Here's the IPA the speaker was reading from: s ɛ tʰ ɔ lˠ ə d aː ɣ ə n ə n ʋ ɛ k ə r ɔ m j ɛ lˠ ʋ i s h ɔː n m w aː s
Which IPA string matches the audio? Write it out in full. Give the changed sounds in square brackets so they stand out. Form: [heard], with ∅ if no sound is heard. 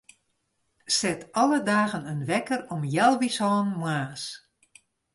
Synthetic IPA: s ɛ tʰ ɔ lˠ ə d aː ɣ ə n ə n ʋ ɛ k ə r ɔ m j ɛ lˠ ʋ i s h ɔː n m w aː s